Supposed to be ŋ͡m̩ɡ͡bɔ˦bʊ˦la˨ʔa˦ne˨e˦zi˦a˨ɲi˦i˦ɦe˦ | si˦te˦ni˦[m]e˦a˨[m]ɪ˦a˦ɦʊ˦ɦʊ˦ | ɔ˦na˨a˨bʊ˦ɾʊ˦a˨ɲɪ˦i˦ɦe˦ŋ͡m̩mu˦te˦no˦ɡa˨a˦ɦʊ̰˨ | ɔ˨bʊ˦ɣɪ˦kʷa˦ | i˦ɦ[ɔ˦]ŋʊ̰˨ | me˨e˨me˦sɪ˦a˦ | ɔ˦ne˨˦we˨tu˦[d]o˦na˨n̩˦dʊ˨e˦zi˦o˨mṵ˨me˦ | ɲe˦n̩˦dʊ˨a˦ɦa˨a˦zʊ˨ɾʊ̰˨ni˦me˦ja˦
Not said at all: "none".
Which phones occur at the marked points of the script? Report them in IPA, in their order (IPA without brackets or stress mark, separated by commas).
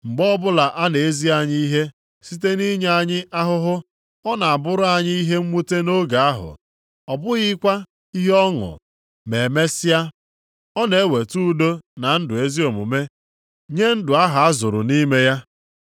ɲ, ɲ, ɔ˦, d